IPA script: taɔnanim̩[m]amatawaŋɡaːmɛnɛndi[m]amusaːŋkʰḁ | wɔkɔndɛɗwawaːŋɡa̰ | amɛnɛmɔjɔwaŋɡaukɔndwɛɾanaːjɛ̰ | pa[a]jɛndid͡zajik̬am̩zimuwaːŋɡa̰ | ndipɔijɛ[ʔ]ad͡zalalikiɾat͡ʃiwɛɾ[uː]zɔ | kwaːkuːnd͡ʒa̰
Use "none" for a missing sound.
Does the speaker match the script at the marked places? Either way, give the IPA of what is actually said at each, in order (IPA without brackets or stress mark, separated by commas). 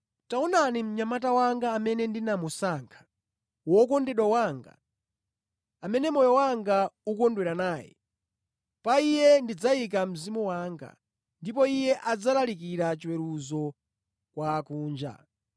ɲ, n, i, ʔ, u